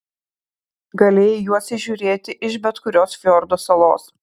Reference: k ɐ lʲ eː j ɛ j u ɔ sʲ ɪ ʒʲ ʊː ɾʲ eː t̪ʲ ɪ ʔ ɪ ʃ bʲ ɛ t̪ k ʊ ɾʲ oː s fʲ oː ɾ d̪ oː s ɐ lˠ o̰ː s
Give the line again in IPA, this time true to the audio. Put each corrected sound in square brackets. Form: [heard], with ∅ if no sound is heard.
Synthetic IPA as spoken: [ɡ] ɐ lʲ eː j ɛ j u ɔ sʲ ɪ ʒʲ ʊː ɾʲ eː t̪ʲ ɪ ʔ ɪ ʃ bʲ ɛ t̪ k ʊ ɾʲ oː s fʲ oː ɾ d̪ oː s ɐ lˠ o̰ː s